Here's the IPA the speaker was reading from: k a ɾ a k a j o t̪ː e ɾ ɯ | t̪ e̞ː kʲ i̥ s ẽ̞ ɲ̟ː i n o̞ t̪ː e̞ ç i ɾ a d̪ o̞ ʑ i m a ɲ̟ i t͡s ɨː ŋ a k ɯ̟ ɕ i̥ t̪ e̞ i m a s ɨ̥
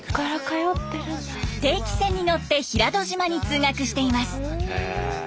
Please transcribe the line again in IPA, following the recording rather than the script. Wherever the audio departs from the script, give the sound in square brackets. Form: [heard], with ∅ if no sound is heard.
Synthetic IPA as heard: k a ɾ a k a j o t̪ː e ɾ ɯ | t̪ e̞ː kʲ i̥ s ẽ̞ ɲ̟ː i n o̞ t̪ː e̞ ç i ɾ a d̪ o̞ ʑ i m a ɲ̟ i t͡s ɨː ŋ a k ɯ̟ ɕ i̥ t̪ e̞ i m a s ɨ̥

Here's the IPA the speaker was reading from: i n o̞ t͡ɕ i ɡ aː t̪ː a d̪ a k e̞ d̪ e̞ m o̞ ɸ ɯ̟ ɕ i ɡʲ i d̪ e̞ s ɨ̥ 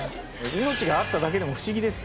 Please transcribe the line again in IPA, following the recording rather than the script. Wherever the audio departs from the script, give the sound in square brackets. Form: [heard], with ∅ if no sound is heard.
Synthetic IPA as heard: i n o̞ t͡ɕ i ɡ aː t̪ː a d̪ a k e̞ d̪ e̞ m o̞ ɸ ɯ̟ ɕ i ɡʲ i d̪ e̞ s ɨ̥

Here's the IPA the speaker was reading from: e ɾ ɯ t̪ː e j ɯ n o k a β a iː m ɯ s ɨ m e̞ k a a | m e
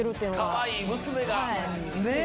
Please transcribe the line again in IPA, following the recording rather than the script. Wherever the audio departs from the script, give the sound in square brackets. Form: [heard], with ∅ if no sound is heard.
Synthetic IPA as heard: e ɾ ɯ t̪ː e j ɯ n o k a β a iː m ɯ s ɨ m e̞ [ɡ] a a | [n] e

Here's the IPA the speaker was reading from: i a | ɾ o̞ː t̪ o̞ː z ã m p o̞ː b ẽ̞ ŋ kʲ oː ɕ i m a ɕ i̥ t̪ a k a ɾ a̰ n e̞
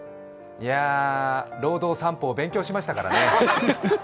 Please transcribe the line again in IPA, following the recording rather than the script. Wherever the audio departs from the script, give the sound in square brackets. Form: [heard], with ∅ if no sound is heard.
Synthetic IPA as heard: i a | ɾ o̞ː [d̪] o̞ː [s] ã m p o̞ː b ẽ̞ ŋ kʲ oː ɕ i m a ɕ i̥ t̪ a k a ɾ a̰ n e̞

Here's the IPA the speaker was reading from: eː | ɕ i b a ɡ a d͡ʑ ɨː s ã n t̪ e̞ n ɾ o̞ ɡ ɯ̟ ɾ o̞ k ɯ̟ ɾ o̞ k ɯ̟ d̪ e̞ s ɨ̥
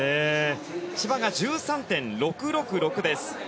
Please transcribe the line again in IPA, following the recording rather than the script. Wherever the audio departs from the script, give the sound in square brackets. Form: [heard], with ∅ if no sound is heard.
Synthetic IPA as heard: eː | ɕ i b a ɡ a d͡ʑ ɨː s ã n t̪ [ẽ̞] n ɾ o̞ [k] ɯ̟ ɾ o̞ k ɯ̟ ɾ o̞ k ɯ̟ d̪ e̞ s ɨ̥

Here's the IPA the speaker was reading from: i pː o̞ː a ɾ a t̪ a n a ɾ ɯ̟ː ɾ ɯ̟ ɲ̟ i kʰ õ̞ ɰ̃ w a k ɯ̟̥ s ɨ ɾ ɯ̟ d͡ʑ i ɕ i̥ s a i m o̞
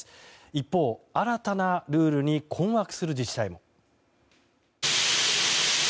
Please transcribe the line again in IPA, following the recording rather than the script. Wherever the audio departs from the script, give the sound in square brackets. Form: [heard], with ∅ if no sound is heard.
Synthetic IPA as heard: i pː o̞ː a ɾ a t̪ a n a ɾ ɯ̟ː ɾ ɯ̟ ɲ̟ i kʰ õ̞ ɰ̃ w a k ɯ̟̥ s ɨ ɾ ɯ̟ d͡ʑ i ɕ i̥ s a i m o̞

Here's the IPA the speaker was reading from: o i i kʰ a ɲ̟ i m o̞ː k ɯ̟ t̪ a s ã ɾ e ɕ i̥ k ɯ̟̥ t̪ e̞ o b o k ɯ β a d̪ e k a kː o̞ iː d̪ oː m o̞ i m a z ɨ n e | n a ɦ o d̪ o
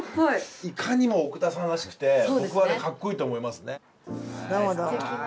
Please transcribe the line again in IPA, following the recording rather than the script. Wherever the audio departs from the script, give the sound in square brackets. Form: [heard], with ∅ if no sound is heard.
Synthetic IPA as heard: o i i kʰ a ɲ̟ i m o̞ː k ɯ̟ t̪ a s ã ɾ [a] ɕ i̥ k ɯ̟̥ t̪ e̞ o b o k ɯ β a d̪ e k a kː o̞ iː [t̪] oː m o̞ i m a [s] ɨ n e | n a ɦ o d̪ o

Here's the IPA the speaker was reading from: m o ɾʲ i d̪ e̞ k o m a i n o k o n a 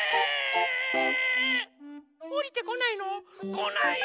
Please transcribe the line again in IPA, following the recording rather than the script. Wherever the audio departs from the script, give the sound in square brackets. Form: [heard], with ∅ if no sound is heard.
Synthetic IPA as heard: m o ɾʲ i [t̪] e̞ k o [n] a i n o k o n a

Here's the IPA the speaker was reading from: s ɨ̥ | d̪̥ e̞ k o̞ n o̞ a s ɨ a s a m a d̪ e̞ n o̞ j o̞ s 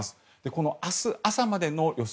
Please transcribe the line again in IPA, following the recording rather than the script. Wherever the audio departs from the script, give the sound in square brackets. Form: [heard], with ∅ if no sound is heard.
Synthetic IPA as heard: s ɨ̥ | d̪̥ e̞ k o̞ n o̞ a s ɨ a s a m a d̪ e̞ n o̞ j o̞ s

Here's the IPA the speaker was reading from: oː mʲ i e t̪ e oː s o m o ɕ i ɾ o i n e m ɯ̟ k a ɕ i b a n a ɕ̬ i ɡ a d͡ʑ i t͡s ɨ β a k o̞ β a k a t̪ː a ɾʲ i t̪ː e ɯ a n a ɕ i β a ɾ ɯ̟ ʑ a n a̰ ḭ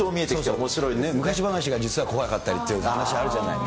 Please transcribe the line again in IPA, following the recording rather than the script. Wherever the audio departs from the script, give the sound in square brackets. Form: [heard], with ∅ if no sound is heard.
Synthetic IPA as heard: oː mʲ i e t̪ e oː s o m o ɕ i ɾ o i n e m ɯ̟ k a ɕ i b a n a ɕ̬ i ɡ a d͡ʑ i t͡s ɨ β a k o̞ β a k a t̪ː a ɾʲ i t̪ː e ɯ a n a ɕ i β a ɾ ɯ̟ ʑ a n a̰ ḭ

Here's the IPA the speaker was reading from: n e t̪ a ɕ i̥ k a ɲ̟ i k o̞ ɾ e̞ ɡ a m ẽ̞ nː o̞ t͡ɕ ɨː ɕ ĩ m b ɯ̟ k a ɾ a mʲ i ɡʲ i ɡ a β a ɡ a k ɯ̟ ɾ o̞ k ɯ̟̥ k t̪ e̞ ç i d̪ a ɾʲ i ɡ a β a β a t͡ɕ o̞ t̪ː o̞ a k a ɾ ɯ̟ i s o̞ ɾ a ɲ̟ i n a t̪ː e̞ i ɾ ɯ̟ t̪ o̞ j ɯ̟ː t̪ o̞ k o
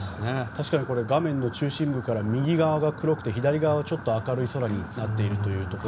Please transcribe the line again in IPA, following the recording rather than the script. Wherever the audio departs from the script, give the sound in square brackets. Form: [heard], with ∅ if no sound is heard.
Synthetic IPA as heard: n e t̪ a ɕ i̥ k a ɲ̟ i k o̞ ɾ e̞ ɡ a m ẽ̞ nː o̞ t͡ɕ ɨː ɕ ĩ m b ɯ̟ k a ɾ a mʲ i ɡʲ i ɡ a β a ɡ a k ɯ̟ ɾ o̞ k ɯ̟̥ [∅] t̪ e̞ ç i d̪ a ɾʲ i ɡ a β a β a t͡ɕ o̞ t̪ː o̞ a k a ɾ ɯ̟ i s o̞ ɾ a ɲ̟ i n a t̪ː e̞ i ɾ ɯ̟ t̪ o̞ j ɯ̟ː t̪ o̞ k o

